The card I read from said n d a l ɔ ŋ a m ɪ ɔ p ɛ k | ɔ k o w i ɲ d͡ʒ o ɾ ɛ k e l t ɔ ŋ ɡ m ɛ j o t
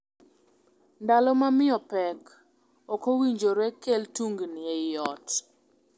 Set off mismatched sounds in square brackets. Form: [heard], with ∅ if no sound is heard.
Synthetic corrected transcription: n d a l ɔ [m] a m ɪ ɔ p ɛ k | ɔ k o w i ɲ d͡ʒ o ɾ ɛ k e l t [u] ŋ ɡ [n] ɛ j [ɔ] t